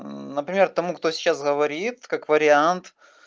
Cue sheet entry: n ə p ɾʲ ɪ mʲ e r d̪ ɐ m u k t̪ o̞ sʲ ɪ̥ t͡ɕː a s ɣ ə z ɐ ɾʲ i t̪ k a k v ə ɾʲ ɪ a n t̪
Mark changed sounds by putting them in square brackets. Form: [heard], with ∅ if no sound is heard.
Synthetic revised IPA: n ə p ɾʲ ɪ mʲ e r [t̪] ɐ m u k t̪ o̞ sʲ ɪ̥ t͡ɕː a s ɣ ə [v] ɐ ɾʲ i t̪ k a k v ə ɾʲ ɪ a n t̪